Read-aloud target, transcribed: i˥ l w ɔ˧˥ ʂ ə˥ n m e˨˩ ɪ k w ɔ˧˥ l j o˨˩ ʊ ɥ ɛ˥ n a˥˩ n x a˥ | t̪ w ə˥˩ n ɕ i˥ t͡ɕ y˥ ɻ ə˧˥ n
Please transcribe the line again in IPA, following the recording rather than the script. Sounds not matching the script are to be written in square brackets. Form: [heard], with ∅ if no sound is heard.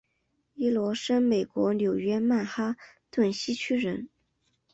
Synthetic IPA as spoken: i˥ l w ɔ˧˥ ʂ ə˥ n m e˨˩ ɪ k w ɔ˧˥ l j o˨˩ ʊ ɥ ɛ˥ [m] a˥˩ n x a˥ | t̪ w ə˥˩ n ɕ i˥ [t͡ɕʰ] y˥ ɻ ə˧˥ n